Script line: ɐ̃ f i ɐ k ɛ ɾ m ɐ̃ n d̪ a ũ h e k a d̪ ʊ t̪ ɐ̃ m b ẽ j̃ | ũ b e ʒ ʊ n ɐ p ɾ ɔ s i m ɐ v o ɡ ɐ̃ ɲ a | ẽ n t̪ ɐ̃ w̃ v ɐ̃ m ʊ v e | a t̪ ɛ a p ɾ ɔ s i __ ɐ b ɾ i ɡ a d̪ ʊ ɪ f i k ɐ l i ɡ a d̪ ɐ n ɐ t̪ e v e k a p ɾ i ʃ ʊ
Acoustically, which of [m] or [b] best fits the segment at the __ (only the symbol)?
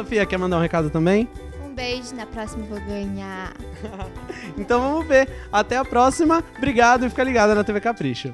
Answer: m